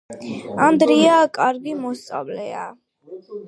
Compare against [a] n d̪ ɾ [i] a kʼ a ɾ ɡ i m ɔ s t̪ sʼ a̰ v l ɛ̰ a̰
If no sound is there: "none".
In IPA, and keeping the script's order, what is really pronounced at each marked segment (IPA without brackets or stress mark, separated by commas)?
a, i